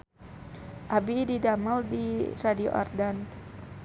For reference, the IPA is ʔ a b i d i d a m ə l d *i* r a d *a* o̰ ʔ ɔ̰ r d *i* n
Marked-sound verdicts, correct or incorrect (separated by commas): correct, incorrect, incorrect